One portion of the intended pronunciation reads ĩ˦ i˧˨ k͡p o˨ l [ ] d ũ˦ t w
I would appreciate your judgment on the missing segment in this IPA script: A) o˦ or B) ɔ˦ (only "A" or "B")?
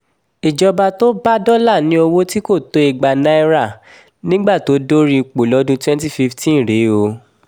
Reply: B